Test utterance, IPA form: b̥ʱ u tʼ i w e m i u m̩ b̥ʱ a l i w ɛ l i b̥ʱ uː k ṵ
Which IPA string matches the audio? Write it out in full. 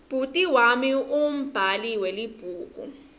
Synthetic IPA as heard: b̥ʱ u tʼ i w a m i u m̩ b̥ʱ a l i w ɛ l i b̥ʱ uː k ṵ

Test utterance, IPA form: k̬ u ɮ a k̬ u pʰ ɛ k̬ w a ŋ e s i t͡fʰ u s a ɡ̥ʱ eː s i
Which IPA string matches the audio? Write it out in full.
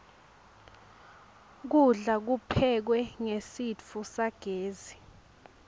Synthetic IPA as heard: k̬ u ɮ a k̬ u pʰ ɛ k̬ w ɛ ŋ e s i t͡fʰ u s a ɡ̥ʱ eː z i

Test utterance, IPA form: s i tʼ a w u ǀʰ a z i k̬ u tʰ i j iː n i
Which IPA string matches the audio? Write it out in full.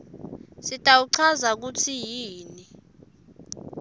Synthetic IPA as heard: s i tʼ a w u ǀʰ a z a k̬ u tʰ i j iː n i

